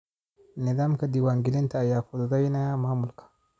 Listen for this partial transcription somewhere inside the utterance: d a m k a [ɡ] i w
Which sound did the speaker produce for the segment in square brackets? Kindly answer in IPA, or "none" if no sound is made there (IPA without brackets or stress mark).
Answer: d